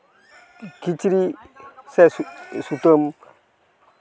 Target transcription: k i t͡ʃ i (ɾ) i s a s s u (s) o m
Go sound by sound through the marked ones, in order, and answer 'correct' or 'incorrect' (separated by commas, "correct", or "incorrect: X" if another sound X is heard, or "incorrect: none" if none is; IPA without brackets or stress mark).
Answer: correct, incorrect: t